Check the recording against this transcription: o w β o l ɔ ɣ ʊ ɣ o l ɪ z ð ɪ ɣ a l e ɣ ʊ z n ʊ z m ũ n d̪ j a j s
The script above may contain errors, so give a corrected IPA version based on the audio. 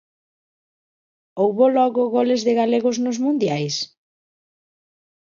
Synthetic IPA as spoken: o w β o l ɔ ɣ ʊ ɣ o l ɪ z ð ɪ ɣ a l e ɣ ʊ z n ʊ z m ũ n d̪ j a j s